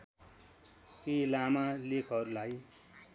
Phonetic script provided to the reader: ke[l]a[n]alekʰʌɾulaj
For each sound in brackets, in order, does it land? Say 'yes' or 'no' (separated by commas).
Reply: yes, no